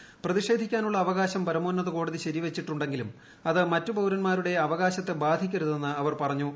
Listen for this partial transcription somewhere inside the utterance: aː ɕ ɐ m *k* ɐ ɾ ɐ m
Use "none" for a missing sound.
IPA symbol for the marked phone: p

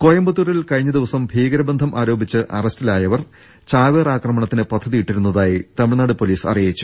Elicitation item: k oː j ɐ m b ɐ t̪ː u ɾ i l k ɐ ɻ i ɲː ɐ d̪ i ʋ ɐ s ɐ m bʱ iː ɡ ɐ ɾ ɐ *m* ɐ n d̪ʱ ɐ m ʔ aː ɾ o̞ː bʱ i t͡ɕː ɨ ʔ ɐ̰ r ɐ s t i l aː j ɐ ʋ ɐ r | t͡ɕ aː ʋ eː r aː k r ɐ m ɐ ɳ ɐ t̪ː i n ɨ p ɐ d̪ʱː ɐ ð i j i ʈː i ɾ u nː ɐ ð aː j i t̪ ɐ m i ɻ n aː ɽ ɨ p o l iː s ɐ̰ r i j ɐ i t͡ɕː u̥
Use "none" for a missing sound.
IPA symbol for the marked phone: b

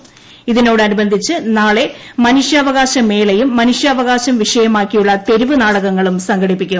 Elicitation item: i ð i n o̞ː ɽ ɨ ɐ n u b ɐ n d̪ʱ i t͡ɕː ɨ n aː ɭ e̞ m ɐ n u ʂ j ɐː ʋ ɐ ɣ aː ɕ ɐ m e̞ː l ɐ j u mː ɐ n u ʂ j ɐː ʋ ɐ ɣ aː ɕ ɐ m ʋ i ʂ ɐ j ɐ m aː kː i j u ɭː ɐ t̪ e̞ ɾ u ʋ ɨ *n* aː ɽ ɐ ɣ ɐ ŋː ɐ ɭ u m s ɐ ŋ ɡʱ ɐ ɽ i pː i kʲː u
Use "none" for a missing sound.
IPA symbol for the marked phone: n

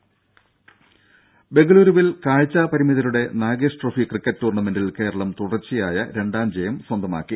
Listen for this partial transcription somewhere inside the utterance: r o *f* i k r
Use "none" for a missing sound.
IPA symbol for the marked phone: f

